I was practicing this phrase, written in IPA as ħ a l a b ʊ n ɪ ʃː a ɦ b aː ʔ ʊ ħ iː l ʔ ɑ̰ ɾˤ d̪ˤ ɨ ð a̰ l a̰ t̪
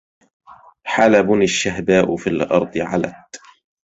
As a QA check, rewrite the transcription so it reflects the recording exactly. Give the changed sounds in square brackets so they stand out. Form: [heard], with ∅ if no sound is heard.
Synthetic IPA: ħ a l a b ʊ n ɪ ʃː a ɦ b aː ʔ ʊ [f] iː l ʔ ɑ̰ ɾˤ d̪ˤ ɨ [ʕ] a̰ l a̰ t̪